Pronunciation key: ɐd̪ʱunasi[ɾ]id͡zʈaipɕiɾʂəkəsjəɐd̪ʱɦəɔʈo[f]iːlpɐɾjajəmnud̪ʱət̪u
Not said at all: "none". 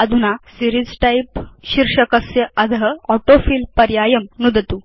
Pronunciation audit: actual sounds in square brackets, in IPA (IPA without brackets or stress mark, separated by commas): ɾ, f